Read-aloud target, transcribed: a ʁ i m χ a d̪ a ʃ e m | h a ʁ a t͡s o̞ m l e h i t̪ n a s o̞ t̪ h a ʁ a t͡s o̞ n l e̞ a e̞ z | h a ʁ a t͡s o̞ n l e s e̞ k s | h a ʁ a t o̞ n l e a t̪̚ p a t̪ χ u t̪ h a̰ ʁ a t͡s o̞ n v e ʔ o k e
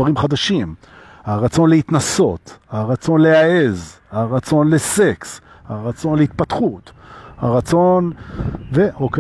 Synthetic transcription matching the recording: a ʁ i m χ a d̪ a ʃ i m | h a ʁ a t͡s o̞ n l e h i t̪ n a s o̞ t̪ h a ʁ a t͡s o̞ n l e̞ a e̞ z | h a ʁ a t͡s o̞ n l e s e̞ k s | h a ʁ a t͡s o̞ n l e i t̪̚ p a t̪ χ u t̪ h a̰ ʁ a t͡s o̞ n v e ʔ o k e